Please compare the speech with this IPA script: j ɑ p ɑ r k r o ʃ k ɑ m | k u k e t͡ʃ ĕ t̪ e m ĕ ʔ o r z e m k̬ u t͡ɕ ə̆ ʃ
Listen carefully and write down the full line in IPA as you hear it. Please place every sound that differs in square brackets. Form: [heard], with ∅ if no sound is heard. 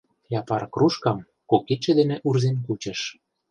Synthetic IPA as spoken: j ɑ p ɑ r k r [u] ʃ k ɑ m | k [o] k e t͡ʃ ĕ [d̪] e [n] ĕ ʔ [u] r z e [n] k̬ u t͡ɕ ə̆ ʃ

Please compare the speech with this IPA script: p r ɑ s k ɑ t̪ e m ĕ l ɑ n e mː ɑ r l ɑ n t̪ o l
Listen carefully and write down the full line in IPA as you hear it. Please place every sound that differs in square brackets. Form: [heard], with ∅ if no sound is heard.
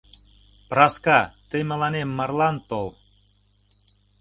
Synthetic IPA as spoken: p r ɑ s k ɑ t̪ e m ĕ l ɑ n e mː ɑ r l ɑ n t̪ o l

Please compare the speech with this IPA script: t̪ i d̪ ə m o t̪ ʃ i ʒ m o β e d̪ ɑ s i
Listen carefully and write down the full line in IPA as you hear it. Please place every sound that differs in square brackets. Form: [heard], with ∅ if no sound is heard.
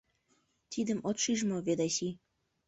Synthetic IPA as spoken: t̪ i d̪ ə m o t̪ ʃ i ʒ m o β e d̪ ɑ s i

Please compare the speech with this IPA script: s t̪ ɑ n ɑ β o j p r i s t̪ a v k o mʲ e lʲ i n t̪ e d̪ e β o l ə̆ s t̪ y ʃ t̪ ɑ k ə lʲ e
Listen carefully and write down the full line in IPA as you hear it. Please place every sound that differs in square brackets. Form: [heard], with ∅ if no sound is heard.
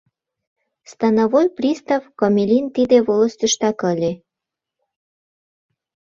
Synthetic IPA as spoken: s t̪ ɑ n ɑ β o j p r i s t̪ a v k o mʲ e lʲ i n t̪ [i] d̪ e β o l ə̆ s t̪ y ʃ t̪ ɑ k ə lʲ e

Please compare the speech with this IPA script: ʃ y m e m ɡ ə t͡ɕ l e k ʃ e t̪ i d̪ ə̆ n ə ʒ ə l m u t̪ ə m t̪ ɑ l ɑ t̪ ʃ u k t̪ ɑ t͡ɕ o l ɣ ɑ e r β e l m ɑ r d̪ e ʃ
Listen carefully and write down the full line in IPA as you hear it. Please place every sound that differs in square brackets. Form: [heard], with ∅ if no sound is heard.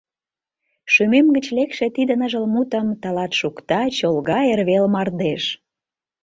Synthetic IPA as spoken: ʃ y m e m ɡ ə t͡ɕ l e k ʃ e t̪ i d̪ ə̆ n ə ʒ ə l m u t̪ ə m t̪ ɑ l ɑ t̪ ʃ u k t̪ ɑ t͡ɕ o l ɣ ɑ e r β e l m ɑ r d̪ e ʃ

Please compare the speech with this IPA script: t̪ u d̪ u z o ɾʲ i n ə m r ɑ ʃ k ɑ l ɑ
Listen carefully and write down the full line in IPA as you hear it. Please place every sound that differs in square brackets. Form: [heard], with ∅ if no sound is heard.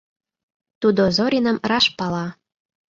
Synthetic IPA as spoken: t̪ u d̪ [o] z o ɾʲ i n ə m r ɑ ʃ [p] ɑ l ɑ

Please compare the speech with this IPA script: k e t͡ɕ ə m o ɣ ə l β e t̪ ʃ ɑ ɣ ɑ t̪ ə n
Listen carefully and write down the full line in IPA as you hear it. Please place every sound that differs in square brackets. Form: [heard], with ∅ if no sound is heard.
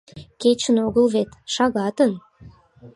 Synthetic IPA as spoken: k e t͡ɕ ə [n] o ɣ ə l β e t̪ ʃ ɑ ɣ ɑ t̪ ə n

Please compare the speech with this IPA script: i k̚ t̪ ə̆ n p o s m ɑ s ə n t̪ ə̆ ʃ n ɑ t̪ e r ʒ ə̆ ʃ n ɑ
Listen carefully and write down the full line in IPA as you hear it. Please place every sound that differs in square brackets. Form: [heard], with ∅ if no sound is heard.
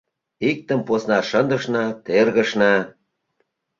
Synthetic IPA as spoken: i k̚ t̪ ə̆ [m] p o s [n] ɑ [ʃ] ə n [d̪] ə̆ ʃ n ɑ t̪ e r [ɣ] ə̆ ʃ n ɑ

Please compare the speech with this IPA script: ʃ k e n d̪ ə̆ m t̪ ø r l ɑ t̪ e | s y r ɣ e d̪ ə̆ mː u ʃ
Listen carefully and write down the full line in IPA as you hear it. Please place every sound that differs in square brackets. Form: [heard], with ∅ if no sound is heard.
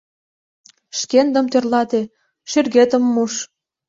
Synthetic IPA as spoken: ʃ k e n d̪ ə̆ m t̪ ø r l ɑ t̪ e | [ʃ] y r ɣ e [t̪] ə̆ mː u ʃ

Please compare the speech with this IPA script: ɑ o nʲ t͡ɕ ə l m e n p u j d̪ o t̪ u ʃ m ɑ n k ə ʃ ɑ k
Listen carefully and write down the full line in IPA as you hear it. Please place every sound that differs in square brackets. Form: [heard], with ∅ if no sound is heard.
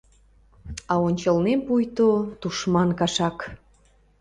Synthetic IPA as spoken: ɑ o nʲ t͡ɕ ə l [n] e [m] p u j [t̪] o t̪ u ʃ m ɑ n k [ɑ] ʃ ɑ k

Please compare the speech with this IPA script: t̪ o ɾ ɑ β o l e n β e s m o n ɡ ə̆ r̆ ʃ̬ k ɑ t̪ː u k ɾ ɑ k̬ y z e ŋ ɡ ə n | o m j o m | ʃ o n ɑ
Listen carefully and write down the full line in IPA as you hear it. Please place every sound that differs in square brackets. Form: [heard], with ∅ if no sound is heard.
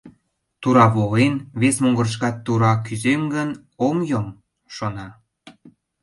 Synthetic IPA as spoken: t̪ [u] ɾ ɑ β o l e n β e s m o [ŋ] ɡ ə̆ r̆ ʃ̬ k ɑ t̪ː u [∅] ɾ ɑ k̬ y z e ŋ ɡ ə n | o m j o m | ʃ o n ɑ

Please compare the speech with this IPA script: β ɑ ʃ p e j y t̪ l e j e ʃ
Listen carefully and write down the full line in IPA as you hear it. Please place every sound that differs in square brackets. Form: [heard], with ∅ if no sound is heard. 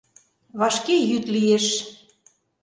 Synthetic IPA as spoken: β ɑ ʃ [k] e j y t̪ l [i] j e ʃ

